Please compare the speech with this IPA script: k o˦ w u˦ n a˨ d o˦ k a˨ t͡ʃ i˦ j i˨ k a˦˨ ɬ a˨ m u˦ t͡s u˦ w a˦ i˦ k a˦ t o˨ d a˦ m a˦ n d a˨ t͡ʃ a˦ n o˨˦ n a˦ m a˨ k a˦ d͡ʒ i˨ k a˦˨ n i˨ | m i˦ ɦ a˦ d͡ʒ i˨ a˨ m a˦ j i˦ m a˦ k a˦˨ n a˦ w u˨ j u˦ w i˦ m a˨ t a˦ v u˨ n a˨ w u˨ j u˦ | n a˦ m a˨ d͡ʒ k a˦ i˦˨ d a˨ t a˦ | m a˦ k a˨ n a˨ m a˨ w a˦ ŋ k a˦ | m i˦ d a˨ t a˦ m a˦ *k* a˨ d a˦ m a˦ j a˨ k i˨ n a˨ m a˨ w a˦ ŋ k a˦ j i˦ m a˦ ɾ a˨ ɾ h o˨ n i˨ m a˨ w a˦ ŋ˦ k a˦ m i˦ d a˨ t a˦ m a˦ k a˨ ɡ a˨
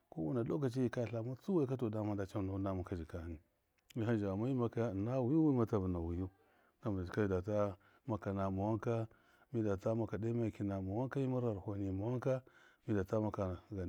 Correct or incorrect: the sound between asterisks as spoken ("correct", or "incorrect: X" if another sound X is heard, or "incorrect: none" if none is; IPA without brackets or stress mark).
correct